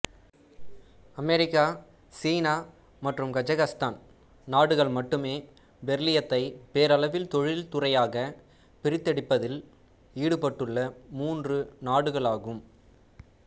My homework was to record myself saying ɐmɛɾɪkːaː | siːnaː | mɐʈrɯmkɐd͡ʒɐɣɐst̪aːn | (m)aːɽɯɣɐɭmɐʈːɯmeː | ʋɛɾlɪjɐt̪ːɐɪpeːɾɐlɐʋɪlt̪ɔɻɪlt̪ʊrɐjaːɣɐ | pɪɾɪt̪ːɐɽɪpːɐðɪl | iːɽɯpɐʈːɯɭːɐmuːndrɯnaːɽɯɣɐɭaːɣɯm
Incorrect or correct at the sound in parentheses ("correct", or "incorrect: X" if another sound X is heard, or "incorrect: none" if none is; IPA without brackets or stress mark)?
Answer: incorrect: n